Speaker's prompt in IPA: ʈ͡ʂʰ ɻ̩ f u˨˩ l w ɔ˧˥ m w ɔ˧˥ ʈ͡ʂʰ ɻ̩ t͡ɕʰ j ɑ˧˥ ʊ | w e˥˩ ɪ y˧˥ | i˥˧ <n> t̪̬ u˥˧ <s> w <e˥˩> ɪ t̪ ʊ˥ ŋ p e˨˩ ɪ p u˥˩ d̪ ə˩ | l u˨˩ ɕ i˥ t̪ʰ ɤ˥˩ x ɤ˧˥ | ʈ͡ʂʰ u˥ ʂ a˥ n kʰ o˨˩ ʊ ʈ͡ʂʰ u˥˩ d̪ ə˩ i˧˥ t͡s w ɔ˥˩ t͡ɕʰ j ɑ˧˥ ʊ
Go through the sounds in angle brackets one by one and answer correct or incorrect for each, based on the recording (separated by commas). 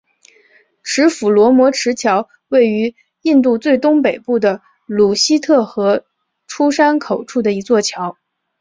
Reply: correct, incorrect, correct